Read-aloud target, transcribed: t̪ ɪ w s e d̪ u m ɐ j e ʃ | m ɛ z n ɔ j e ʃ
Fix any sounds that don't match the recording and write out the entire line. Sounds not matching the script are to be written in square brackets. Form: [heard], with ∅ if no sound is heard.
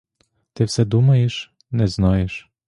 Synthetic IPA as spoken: t̪ ɪ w s [ɛ] d̪ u m ɐ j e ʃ | [n] ɛ z n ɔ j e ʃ